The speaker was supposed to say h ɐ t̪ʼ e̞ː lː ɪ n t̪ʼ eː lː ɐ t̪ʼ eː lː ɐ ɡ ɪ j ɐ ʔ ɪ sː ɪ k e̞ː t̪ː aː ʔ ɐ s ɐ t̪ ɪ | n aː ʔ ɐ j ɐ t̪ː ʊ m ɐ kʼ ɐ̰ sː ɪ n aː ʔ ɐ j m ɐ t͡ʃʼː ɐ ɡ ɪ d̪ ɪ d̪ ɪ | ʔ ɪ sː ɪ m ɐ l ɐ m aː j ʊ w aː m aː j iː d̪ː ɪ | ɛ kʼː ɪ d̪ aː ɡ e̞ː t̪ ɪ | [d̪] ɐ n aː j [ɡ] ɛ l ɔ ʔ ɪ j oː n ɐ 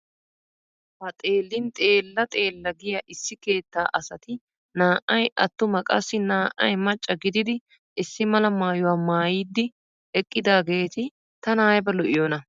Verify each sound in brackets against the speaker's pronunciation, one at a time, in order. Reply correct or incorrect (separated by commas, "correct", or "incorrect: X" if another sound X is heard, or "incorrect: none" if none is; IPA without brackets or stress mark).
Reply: incorrect: t̪, incorrect: b